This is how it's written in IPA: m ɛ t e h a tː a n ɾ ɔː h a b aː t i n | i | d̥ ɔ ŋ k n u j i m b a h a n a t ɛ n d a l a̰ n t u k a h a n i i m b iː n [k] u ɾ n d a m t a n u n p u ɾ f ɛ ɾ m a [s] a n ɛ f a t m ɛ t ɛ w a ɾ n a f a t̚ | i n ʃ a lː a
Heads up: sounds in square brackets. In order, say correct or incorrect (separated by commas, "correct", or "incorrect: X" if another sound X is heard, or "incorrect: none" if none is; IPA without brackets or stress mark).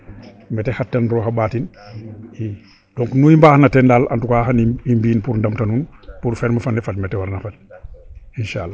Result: incorrect: p, incorrect: f